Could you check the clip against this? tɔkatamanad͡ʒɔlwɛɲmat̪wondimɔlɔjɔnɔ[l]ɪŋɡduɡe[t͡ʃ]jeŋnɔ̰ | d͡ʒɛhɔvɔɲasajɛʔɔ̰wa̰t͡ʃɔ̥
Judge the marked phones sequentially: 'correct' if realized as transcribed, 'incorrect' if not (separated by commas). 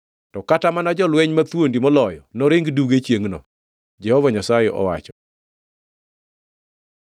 incorrect, correct